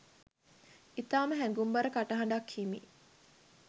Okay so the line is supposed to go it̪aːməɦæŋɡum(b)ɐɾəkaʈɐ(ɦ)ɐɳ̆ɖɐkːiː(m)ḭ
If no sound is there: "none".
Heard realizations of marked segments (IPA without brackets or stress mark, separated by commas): b, ɦ, m